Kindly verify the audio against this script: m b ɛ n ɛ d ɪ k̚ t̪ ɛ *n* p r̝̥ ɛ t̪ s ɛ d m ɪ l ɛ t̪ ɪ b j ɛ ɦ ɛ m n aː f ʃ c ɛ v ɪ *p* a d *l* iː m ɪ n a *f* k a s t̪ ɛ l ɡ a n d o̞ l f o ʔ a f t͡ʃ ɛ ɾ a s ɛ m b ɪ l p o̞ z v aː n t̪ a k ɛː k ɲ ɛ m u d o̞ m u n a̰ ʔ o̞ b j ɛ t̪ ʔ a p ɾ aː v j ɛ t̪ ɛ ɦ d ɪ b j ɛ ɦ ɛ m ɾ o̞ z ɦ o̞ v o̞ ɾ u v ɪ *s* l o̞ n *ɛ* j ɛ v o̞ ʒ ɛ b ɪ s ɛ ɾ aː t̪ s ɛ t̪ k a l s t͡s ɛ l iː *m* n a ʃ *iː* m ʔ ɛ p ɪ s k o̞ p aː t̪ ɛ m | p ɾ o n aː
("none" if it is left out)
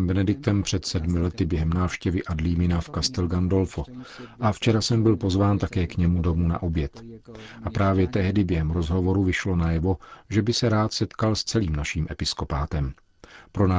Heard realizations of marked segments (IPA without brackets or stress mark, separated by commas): m, ʔ, l, f, ʃ, a, m, iː